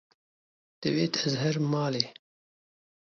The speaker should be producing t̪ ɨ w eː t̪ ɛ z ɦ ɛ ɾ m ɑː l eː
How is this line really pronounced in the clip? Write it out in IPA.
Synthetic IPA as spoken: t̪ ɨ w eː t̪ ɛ z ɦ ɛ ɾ m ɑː l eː